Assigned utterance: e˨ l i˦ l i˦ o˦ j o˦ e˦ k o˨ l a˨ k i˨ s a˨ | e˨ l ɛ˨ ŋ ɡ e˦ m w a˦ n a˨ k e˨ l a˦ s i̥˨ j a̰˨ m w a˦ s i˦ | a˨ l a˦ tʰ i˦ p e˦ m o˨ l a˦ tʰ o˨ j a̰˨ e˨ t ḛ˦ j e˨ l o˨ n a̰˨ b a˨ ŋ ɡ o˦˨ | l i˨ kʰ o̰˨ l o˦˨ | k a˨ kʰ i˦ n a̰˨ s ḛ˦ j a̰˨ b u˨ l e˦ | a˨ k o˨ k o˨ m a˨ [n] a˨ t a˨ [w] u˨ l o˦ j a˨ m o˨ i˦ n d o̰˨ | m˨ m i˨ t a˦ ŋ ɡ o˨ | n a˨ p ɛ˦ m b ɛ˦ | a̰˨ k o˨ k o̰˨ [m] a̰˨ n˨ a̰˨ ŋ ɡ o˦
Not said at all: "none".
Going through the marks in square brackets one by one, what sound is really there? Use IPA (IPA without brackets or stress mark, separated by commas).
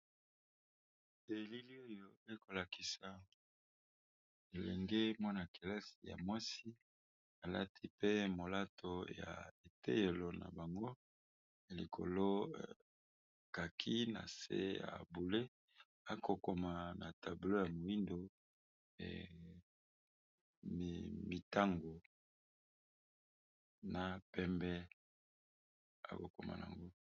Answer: n, b, m